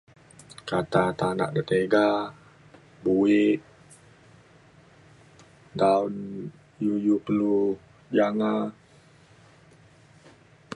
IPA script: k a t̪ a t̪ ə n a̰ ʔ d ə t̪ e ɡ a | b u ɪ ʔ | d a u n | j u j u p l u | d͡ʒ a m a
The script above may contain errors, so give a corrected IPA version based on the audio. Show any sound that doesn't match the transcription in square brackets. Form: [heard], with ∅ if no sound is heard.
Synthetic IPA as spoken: k a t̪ a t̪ [a] n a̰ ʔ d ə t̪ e ɡ a | b u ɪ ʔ | d a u n | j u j u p l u | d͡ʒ a [ŋ] a